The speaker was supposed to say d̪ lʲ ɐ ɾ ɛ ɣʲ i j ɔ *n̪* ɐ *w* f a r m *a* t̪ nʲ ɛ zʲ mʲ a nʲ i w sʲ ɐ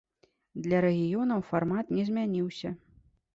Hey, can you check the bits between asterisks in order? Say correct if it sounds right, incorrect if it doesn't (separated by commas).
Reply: correct, correct, correct